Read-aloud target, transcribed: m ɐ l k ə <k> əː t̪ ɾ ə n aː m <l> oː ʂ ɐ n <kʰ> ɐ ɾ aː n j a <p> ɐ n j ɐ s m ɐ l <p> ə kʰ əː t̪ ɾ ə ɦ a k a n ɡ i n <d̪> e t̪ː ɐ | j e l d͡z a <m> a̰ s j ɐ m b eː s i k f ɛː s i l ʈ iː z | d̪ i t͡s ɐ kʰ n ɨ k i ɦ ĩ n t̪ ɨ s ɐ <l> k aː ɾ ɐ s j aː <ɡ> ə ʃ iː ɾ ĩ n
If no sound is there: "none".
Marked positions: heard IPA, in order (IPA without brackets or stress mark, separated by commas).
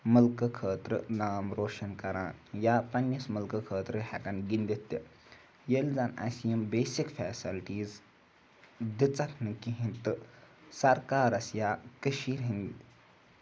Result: kʰ, ɾ, k, p, k, d̪, n, ɾ, k